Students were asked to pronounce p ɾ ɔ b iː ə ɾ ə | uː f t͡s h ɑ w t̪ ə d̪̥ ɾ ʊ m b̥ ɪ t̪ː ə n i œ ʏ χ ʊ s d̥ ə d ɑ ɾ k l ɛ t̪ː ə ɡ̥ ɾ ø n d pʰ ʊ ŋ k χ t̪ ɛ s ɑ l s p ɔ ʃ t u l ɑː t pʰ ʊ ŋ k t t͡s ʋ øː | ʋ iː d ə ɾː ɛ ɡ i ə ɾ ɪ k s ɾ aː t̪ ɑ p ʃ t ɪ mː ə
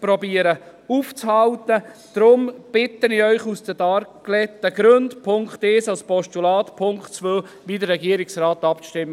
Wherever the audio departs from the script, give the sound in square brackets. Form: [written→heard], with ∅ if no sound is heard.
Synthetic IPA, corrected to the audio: p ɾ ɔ b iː ə ɾ ə | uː f t͡s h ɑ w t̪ ə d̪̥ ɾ ʊ m b̥ ɪ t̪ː ə n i œ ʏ χ [ʊ→u] s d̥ ə d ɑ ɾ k l ɛ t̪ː ə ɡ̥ ɾ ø n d pʰ ʊ ŋ k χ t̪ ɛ s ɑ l s p ɔ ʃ t u l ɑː t pʰ ʊ ŋ k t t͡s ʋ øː | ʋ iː d ə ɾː ɛ ɡ i ə ɾ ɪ k s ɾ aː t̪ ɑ p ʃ t ɪ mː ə